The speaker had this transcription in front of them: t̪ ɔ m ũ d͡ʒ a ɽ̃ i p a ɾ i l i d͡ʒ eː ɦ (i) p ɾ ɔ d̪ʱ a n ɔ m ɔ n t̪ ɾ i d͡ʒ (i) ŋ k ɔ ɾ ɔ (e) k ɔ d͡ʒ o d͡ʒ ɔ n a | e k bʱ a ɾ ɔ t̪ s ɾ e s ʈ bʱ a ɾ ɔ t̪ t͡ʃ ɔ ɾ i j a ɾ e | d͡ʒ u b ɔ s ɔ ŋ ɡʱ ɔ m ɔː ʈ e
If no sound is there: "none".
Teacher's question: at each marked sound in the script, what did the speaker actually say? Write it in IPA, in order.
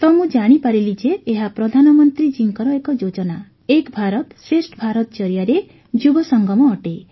a, i, e

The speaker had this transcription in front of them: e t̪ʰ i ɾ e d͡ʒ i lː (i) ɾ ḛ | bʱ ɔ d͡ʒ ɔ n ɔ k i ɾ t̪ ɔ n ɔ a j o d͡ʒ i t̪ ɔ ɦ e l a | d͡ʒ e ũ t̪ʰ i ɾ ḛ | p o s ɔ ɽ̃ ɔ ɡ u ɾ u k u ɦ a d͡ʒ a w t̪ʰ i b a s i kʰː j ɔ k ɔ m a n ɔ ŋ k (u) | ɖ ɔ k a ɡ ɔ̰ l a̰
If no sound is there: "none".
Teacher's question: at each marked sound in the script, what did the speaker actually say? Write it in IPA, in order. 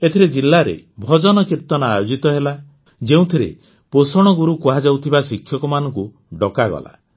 a, u

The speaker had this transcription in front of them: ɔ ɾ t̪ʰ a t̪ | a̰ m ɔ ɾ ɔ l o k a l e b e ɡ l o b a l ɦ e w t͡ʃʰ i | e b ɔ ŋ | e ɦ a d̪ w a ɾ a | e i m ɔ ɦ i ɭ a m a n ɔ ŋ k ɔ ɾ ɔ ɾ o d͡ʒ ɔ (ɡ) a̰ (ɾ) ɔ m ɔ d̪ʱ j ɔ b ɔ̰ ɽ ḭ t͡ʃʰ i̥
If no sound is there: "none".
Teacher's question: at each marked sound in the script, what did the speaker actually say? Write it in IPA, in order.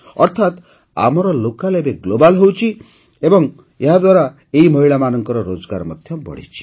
ɡ, ɾ

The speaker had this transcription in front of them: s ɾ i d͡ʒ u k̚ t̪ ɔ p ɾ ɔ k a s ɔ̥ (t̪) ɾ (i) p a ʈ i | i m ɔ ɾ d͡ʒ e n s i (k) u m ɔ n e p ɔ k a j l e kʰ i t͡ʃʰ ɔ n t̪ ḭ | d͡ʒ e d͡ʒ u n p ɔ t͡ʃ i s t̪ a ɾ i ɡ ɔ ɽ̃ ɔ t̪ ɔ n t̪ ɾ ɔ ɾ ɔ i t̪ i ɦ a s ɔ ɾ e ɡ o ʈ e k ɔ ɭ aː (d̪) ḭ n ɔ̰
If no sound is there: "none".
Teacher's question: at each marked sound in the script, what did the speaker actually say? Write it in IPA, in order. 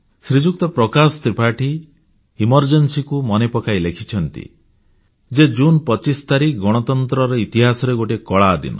t̪, i, k, d̪

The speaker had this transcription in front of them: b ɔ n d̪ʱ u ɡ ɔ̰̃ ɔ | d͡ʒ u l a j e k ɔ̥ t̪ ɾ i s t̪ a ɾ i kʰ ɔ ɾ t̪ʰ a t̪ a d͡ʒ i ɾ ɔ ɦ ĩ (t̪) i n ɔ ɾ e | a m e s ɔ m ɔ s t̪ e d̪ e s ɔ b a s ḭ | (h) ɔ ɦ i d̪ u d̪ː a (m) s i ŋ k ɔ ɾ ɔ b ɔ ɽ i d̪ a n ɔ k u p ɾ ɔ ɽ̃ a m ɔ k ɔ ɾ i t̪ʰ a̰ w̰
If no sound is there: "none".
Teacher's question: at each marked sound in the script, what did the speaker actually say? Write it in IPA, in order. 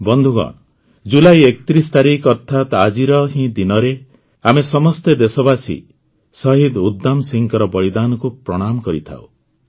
d̪, s, m

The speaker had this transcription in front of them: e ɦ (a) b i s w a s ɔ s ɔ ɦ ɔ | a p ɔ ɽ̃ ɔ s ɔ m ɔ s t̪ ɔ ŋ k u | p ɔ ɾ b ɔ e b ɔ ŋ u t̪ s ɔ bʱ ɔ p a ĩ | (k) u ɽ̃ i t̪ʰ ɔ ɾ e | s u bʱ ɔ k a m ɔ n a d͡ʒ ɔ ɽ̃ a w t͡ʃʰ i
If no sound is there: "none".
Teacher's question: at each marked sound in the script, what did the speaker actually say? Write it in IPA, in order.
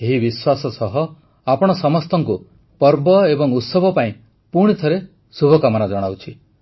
i, p

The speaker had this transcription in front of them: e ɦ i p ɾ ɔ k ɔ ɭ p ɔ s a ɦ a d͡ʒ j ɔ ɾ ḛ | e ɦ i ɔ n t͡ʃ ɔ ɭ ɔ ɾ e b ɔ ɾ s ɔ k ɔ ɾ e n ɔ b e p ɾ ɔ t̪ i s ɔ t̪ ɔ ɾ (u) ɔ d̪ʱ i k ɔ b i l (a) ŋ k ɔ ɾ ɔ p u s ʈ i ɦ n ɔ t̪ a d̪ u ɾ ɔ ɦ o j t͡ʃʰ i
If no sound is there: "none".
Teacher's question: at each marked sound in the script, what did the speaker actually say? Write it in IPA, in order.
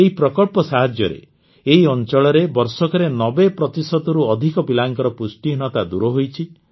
u, a

